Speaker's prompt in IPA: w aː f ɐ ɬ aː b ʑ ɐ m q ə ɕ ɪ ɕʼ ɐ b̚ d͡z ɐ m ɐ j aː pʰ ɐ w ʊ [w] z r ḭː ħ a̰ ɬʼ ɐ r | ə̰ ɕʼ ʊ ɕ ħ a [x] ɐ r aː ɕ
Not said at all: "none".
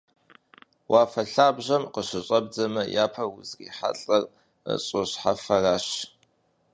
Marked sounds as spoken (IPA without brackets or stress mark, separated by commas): none, f